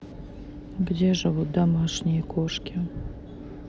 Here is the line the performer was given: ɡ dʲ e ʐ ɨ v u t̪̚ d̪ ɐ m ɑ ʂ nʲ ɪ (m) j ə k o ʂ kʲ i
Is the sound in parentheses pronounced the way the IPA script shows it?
no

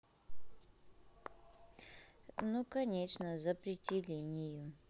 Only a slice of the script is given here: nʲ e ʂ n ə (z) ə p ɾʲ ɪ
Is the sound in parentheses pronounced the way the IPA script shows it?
yes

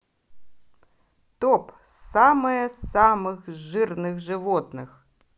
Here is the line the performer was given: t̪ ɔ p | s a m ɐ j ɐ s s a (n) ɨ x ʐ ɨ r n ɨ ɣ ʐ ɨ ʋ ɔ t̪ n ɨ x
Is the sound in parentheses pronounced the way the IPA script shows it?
no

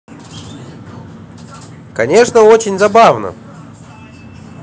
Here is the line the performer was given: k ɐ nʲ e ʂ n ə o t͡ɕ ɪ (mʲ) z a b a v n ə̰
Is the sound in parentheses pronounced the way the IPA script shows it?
no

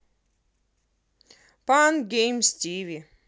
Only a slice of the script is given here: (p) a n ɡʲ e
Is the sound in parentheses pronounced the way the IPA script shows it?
yes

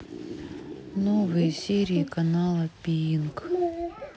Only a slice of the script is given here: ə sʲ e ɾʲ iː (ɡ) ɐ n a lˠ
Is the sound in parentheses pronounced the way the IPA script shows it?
no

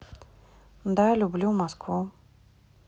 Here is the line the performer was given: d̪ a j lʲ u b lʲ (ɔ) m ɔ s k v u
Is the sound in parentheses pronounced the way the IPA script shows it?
no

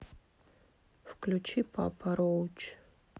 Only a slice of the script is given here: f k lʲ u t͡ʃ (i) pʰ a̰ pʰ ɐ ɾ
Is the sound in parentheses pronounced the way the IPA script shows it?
yes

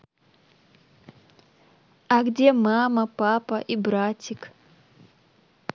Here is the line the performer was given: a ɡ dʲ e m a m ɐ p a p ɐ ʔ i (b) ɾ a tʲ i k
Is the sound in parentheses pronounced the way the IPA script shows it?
yes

